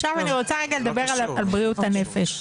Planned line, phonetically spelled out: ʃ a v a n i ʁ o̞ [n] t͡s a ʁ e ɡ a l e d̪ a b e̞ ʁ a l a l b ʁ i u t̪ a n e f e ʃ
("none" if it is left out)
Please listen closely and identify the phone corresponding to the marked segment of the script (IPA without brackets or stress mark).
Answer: none